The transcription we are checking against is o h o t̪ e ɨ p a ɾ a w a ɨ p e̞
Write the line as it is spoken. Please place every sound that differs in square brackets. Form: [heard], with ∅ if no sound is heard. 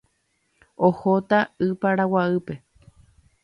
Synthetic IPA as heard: o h o t̪ [a] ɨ p a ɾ a w a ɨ p e̞